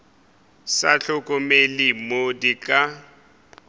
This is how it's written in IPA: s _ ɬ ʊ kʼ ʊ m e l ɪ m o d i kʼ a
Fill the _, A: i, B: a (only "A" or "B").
B